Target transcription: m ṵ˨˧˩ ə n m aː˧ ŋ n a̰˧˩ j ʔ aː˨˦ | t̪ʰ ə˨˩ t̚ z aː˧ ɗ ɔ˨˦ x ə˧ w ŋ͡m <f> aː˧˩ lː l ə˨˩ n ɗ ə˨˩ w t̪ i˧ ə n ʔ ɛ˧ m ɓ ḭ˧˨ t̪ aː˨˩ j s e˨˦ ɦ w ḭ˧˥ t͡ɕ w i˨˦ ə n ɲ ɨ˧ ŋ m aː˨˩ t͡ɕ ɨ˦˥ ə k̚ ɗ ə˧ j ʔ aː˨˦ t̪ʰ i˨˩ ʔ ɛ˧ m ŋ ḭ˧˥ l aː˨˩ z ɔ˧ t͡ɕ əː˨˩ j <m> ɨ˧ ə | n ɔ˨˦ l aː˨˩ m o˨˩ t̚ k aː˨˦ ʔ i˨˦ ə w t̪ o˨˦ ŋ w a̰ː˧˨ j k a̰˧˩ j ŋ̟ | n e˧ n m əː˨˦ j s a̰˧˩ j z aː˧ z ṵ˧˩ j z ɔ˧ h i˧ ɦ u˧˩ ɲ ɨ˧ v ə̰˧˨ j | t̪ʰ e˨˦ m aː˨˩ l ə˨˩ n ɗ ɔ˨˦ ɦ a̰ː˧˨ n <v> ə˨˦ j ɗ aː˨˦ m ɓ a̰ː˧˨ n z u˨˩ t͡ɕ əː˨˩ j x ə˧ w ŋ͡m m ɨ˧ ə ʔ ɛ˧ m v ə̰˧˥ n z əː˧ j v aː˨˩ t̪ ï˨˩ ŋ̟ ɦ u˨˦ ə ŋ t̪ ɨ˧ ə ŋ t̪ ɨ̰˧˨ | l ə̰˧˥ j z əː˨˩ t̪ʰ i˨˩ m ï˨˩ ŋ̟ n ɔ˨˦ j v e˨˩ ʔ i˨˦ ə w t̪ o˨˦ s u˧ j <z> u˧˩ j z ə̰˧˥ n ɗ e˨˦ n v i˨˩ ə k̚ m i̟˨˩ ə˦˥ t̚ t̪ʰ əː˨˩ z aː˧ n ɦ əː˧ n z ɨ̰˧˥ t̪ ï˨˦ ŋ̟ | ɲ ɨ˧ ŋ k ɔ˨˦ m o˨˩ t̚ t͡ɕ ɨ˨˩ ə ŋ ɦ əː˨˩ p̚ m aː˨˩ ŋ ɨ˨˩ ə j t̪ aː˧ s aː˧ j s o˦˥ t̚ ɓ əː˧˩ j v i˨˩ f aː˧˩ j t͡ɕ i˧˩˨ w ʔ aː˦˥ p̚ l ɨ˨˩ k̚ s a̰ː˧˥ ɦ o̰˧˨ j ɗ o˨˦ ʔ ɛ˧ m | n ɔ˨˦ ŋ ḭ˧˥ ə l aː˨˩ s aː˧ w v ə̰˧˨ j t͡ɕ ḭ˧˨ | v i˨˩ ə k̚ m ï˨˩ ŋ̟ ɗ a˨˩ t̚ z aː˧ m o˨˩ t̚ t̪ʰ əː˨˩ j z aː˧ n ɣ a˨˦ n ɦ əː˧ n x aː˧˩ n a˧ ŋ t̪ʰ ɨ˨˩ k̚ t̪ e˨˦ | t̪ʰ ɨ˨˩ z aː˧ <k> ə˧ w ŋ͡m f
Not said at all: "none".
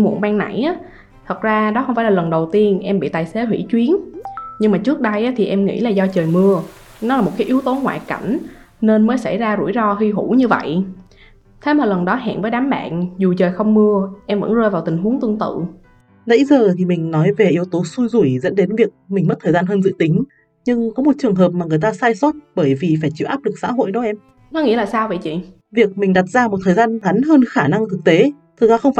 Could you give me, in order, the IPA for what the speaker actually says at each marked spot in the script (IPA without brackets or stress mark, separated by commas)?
f, m, v, z, x